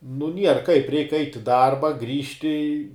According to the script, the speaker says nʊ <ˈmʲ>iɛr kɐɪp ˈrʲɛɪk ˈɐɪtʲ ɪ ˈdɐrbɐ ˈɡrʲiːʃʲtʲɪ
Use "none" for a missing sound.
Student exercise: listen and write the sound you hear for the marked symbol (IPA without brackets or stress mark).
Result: nʲ